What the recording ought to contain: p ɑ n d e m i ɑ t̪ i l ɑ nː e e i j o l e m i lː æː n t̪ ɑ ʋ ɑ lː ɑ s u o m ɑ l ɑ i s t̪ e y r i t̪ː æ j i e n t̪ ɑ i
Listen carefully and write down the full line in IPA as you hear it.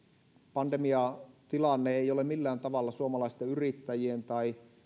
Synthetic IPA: p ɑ n d e m i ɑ t̪ i l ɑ nː e e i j o l e m i lː æː n t̪ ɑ ʋ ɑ lː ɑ s u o m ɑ l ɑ i s t̪ e y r i t̪ː æ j i e n t̪ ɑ i